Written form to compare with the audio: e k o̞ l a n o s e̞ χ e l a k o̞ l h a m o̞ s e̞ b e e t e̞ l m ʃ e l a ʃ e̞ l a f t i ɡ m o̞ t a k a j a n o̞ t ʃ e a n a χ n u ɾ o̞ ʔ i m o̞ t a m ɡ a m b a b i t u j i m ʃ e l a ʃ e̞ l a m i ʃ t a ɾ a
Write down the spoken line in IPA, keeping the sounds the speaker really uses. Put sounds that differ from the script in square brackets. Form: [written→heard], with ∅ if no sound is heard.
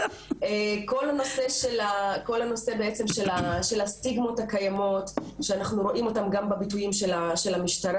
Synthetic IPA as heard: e k o̞ l a n o s e̞ [χ→ʃ] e l a k o̞ l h a [m→n] o̞ s e̞ b e e [t→t͡s] e̞ [l→∅] m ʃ e l a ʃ e̞ l a [f→s] t i ɡ m o̞ t a k a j a [n→m] o̞ t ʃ e a n a χ n u ɾ o̞ ʔ i m o̞ t a m ɡ a m b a b i t u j i m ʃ e l a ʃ e̞ l a m i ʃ t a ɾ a